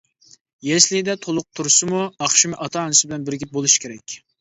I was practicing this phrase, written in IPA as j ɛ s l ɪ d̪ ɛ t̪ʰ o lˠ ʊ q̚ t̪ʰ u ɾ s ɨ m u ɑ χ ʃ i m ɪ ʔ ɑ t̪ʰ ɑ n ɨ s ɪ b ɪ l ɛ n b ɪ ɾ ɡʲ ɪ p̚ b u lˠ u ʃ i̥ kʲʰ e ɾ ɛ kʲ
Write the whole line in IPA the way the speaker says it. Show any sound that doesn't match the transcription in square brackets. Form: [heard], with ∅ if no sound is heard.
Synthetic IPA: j ɛ s l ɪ d̪ ɛ t̪ʰ o lˠ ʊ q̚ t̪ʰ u ɾ s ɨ m u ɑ χ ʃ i m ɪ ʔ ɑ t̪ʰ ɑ n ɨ s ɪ b ɪ l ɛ n b ɪ ɾ ɡʲ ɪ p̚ b [o] lˠ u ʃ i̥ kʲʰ e ɾ ɛ kʲ